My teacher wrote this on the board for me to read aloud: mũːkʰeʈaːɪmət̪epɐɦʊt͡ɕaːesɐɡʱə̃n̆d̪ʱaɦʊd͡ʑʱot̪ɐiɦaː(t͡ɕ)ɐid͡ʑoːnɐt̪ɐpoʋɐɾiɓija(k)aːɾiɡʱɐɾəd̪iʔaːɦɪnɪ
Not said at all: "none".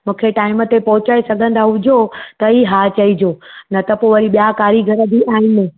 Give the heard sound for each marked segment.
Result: t͡ɕ, k

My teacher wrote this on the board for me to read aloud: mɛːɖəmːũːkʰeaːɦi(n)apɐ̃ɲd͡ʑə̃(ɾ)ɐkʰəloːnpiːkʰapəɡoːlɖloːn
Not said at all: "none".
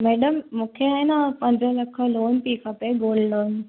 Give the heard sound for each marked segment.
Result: n, l

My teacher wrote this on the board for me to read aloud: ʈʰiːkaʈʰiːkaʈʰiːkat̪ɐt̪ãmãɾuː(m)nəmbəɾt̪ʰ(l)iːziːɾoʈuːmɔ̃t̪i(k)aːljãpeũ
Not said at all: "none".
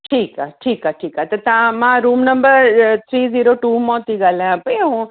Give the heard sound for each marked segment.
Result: m, ɾ, ɡ

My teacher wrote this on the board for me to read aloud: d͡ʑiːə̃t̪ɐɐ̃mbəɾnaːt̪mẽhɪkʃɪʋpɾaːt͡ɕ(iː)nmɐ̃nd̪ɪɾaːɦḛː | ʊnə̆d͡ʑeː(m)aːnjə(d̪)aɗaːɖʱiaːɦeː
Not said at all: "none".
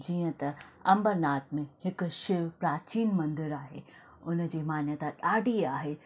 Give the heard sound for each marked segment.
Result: iː, m, t̪

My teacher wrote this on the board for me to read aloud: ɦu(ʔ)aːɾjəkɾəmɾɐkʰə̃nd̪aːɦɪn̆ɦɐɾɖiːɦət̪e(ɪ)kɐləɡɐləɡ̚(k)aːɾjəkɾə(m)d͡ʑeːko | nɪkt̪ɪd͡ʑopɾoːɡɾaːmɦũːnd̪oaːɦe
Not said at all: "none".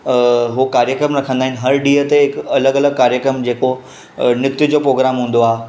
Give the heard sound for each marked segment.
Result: k, ɪ, k, m

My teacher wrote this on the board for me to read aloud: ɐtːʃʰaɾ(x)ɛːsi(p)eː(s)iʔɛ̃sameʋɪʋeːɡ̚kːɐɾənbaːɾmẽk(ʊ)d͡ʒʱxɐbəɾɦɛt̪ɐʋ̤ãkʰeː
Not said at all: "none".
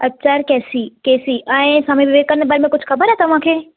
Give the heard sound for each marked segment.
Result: k, k, s, ʊ

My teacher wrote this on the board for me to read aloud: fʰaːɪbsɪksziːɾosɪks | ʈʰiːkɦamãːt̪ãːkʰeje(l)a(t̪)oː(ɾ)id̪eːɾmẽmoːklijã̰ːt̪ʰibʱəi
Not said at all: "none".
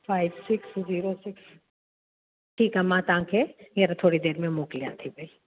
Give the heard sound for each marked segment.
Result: ɾ, t̪ʰ, ɽ

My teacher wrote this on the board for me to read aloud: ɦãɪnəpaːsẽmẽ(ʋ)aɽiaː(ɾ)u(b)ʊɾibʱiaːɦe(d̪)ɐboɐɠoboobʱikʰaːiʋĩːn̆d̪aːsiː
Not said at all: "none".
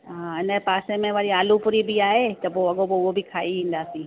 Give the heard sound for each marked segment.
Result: ʋ, l, p, t̪

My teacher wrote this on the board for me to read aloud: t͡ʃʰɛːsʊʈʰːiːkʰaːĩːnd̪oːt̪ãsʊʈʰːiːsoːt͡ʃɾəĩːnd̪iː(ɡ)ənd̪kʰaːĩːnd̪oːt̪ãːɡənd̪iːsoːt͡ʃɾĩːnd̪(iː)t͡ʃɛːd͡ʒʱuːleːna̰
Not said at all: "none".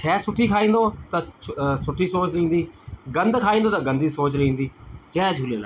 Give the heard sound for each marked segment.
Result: ɡ, iː

